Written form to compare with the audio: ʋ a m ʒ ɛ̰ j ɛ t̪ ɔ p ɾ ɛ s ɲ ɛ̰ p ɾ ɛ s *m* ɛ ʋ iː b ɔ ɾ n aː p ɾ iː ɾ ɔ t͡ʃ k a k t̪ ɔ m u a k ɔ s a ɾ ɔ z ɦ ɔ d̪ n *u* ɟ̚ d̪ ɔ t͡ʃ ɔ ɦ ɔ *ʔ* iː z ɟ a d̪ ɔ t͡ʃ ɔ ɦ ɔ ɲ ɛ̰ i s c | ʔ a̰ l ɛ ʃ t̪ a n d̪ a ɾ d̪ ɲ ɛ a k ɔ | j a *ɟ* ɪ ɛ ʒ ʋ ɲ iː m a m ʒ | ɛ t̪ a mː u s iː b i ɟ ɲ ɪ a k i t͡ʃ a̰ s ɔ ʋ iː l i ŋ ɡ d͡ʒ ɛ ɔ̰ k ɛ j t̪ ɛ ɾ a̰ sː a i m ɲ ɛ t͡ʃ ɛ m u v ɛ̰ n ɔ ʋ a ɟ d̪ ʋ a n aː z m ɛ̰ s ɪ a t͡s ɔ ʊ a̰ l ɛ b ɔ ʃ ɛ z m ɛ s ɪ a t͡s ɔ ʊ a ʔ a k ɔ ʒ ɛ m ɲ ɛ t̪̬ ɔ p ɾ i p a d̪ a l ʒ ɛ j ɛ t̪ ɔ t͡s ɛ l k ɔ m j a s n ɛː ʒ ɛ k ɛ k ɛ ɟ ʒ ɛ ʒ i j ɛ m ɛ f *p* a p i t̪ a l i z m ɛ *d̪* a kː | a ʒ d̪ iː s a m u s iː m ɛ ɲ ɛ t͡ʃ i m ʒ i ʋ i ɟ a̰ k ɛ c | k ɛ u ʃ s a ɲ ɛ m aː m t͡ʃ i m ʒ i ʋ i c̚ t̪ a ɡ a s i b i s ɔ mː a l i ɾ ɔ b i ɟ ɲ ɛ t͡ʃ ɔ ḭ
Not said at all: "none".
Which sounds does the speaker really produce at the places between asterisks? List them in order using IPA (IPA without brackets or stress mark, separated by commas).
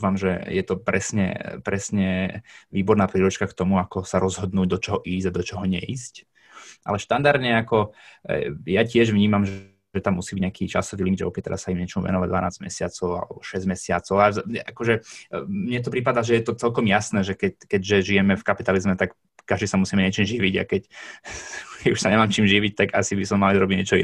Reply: ɲ, uː, ʔ, c, k, t̪